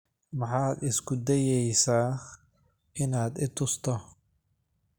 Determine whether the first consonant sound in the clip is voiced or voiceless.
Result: voiced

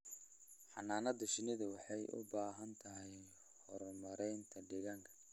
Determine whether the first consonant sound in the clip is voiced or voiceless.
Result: voiceless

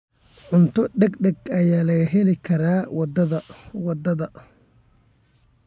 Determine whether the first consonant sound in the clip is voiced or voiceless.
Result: voiced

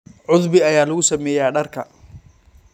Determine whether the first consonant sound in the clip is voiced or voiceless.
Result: voiced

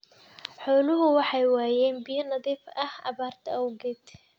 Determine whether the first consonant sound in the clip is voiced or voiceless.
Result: voiceless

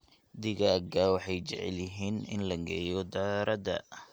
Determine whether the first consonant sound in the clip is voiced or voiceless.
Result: voiced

